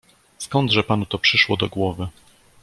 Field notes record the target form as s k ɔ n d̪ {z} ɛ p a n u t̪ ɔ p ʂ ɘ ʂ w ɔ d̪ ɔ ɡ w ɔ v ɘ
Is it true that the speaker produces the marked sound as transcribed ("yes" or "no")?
no